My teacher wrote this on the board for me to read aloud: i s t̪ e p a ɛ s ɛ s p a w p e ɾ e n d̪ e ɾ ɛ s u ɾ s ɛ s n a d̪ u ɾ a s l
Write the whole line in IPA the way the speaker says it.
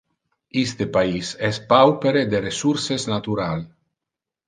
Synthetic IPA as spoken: i s t̪ e p a i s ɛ s p a w p e ɾ e d̪ e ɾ e s u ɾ s e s n a t̪ u ɾ a l